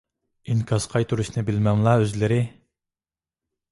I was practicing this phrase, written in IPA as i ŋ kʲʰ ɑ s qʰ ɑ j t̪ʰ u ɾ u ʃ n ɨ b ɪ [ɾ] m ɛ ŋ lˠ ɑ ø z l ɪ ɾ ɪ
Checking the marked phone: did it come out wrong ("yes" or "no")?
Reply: yes